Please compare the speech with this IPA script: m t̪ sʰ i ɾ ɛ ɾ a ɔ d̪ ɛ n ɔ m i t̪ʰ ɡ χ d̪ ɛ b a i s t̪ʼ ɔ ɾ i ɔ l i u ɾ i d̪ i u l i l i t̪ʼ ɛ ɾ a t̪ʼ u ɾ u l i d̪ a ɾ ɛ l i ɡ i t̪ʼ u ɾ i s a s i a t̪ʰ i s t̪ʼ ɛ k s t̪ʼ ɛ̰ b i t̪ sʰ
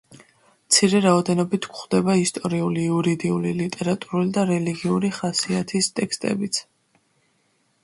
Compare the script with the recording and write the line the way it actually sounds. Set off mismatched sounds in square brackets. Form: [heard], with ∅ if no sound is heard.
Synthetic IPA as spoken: m t̪ sʰ i ɾ ɛ ɾ a ɔ d̪ ɛ n ɔ [b] i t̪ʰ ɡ χ d̪ ɛ b a i s t̪ʼ ɔ ɾ i [u] l i u ɾ i d̪ i u l i l i t̪ʼ ɛ ɾ a t̪ʼ u ɾ u l i d̪ a ɾ ɛ l i ɡ i [∅] u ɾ i [χ] a s i a t̪ʰ i s t̪ʼ ɛ k s t̪ʼ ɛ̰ b i t̪ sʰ